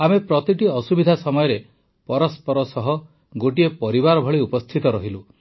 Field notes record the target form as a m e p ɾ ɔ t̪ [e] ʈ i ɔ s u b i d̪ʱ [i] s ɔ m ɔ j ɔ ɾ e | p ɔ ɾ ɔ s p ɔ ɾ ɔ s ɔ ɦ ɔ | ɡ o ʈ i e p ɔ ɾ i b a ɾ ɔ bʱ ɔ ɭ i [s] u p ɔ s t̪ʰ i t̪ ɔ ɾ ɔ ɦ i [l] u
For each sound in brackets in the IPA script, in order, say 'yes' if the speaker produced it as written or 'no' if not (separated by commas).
no, no, no, yes